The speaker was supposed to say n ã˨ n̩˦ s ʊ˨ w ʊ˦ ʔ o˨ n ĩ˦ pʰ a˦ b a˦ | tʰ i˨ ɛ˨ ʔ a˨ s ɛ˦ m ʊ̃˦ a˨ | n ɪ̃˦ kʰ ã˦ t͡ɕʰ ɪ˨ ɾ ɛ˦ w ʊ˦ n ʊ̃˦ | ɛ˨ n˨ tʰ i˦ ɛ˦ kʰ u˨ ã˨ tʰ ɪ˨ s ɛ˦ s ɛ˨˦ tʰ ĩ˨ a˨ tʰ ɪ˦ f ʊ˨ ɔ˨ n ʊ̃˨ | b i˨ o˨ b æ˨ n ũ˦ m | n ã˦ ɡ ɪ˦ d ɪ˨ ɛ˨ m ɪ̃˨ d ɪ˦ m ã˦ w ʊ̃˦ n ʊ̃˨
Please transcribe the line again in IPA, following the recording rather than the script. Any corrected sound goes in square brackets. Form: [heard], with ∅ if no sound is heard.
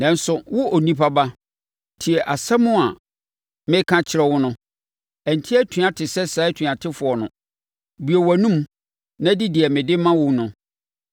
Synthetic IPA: n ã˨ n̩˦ s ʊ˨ w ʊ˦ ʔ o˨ n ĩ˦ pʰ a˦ b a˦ | tʰ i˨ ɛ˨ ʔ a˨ s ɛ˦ m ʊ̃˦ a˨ | [m] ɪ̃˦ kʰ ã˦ t͡ɕʰ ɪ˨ ɾ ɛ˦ w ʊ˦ n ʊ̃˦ | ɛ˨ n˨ tʰ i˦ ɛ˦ [tʰ] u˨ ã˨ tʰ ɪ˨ s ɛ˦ s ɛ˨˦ tʰ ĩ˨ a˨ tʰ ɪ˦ f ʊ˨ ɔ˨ n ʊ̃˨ | b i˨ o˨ [w] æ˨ n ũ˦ m | n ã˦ [d] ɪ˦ d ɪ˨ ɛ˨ m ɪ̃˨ d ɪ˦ m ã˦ w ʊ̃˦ n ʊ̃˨